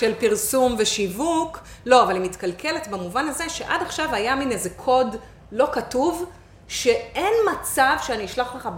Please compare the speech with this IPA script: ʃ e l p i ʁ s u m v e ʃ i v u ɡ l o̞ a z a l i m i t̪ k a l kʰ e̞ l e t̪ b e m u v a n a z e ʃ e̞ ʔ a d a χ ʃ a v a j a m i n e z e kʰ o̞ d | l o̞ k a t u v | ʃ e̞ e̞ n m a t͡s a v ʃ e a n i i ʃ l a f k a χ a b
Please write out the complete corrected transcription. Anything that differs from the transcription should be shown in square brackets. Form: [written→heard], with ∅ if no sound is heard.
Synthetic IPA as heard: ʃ e l p i ʁ s u m v e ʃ i v u [ɡ→k] l o̞ a [z→v] a l i m i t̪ k a l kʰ e̞ l e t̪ b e m u v a n a z e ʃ e̞ ʔ a d a χ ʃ a v a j a m i n e z e kʰ o̞ d | l o̞ k a t u v | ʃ e̞ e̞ n m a t͡s a v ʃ e a n i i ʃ l a [f→χ] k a χ a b